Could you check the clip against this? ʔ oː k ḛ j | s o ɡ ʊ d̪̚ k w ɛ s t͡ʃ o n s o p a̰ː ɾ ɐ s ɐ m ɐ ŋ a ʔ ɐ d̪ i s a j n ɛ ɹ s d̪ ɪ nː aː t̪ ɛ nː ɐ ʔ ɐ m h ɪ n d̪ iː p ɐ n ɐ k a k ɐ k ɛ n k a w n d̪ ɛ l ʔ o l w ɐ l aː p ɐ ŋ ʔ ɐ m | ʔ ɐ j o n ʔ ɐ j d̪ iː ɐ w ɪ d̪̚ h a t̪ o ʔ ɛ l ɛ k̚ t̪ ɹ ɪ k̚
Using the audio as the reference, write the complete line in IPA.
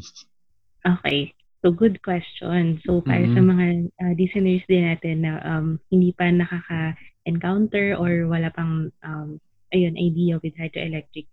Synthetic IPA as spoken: ʔ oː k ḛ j | s o ɡ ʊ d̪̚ k w ɛ s t͡ʃ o n s o p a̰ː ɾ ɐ s ɐ m ɐ ŋ a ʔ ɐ d̪ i s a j n ɛ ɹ s d̪ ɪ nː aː t̪ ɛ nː ɐ ʔ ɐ m h ɪ n d̪ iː p ɐ n ɐ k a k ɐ ʔ ɛ n k a w n t̪ ɛ ɹ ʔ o ɹ w ɐ l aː p ɐ ŋ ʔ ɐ m | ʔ ɐ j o n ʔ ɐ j d̪ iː ɐ w ɪ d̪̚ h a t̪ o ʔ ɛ l ɛ k̚ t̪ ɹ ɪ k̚